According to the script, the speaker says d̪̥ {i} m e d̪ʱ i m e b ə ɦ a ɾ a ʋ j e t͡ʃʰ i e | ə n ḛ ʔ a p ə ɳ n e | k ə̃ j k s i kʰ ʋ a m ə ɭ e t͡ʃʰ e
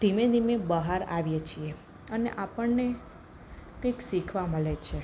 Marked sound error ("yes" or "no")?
no